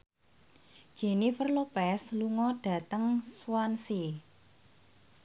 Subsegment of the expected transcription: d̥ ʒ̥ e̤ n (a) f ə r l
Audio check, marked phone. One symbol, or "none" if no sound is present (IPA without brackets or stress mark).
i